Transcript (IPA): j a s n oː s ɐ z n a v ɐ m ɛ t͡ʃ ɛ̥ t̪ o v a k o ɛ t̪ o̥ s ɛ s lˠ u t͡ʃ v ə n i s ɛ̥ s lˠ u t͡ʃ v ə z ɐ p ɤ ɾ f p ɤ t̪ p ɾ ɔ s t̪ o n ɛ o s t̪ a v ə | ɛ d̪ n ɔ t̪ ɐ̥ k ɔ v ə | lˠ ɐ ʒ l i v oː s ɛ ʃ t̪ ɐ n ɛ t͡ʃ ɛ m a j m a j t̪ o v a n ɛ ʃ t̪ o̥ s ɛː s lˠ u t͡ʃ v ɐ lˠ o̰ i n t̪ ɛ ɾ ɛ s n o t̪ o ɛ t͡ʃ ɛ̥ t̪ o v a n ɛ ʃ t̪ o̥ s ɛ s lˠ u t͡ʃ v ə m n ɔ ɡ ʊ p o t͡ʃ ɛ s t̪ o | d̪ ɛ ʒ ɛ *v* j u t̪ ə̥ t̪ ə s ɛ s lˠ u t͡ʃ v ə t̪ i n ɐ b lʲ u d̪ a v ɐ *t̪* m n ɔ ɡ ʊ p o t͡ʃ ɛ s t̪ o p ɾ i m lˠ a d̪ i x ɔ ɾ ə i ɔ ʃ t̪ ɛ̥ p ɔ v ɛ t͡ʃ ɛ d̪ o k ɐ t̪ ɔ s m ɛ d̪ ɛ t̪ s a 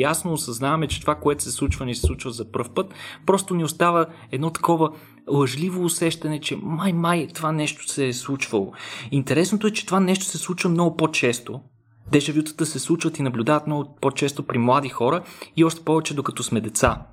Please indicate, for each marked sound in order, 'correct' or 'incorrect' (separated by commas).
correct, correct